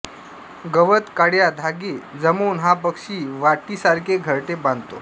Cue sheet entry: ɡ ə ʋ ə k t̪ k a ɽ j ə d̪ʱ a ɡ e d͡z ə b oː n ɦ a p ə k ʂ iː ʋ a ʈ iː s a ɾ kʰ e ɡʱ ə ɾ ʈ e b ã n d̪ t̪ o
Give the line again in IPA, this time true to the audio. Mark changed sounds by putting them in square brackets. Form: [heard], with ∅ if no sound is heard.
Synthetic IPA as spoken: ɡ ə ʋ ə [∅] t̪ k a ɽ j [a] d̪ʱ a ɡ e d͡z ə [m] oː n ɦ a p ə k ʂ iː ʋ a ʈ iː s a ɾ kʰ e ɡʱ ə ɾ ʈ e b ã n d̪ t̪ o